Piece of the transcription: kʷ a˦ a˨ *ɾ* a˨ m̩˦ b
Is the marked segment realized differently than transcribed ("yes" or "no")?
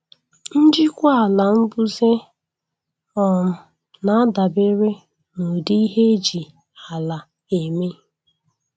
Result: yes